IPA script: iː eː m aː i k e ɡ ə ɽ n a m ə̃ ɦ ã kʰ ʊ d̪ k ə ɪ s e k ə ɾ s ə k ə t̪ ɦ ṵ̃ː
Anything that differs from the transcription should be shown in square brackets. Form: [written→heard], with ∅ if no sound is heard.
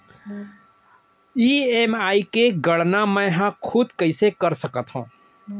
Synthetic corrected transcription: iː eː m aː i k e ɡ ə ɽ n a m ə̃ ɦ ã kʰ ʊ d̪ k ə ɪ s e k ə ɾ s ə k ə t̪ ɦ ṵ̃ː